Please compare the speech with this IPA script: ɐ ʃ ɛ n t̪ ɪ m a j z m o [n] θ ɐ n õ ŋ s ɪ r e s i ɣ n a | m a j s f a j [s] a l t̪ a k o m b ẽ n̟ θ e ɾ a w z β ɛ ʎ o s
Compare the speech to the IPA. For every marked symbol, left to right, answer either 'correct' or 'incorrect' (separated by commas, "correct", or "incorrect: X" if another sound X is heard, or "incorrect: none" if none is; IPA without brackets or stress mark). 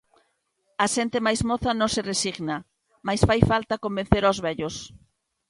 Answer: incorrect: none, incorrect: f